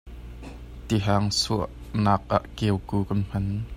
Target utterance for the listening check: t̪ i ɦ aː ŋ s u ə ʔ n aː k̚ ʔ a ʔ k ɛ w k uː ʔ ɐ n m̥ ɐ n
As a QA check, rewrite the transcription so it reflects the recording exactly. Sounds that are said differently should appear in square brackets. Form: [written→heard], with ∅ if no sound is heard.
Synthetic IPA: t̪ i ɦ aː ŋ s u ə ʔ n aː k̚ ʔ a ʔ k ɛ w k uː [ʔ→k] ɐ n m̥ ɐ n